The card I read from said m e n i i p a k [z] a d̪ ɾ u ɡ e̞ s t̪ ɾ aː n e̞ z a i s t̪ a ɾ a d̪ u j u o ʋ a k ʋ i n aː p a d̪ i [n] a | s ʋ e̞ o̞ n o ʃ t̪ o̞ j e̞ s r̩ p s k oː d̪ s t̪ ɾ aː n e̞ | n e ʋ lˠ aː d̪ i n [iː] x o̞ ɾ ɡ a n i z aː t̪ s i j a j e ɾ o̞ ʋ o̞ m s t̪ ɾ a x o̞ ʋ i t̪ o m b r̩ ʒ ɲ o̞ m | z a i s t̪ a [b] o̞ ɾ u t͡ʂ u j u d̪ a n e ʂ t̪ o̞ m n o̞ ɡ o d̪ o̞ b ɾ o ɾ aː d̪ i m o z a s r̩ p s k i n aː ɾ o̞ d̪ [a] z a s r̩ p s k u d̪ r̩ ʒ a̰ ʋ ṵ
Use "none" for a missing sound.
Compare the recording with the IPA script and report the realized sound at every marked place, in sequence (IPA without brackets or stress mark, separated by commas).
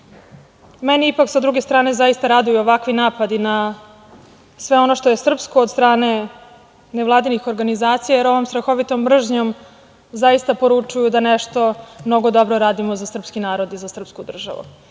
s, n, i, p, i